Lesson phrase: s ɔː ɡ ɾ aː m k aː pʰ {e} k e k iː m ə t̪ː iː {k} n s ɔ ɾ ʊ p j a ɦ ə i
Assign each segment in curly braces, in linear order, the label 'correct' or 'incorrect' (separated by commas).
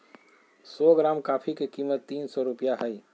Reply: incorrect, incorrect